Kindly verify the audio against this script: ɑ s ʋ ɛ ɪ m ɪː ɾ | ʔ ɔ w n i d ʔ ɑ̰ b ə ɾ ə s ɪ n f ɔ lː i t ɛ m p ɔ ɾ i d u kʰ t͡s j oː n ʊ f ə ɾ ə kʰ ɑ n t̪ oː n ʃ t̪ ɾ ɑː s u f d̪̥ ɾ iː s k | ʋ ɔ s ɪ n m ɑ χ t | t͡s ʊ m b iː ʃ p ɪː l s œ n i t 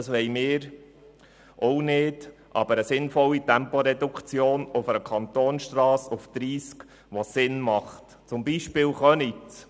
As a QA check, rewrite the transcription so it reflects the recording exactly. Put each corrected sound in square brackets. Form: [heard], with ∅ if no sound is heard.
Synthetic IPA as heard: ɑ s ʋ ɛ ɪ m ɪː ɾ | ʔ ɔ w n [ɪ] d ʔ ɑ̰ b ə ɾ ə s ɪ n f ɔ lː i t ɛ m p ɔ ɾ [ɛ] d u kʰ t͡s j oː n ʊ f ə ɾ ə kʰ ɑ n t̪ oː n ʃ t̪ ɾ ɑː s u f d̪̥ ɾ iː s k | ʋ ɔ s ɪ n m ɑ χ t | t͡s ʊ m b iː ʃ p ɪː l [χ] œ n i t